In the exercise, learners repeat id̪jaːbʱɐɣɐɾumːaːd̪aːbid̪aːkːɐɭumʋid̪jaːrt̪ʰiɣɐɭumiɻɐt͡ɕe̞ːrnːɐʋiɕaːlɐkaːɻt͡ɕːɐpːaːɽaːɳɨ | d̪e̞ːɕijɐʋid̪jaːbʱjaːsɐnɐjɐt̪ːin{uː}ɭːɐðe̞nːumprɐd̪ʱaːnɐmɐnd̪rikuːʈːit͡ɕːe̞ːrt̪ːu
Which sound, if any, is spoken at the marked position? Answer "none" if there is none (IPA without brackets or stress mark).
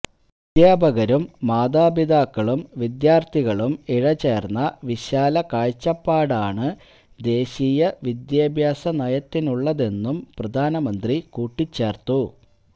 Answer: u